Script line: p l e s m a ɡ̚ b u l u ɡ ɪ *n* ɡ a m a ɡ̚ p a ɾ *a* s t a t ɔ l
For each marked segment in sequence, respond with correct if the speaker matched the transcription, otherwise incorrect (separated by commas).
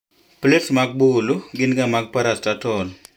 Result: correct, correct